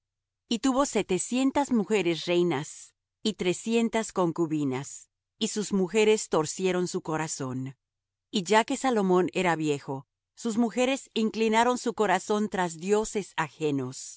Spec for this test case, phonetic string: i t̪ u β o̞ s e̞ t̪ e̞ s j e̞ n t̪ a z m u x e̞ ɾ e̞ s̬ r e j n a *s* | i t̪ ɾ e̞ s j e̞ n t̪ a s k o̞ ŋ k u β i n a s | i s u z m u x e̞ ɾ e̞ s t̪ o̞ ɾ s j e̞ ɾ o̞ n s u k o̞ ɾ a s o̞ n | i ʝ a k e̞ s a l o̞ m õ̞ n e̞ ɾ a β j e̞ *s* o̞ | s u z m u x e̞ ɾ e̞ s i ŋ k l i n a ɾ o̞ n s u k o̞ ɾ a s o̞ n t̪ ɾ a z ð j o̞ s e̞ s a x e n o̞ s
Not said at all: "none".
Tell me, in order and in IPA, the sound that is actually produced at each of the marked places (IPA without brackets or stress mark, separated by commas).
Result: s, x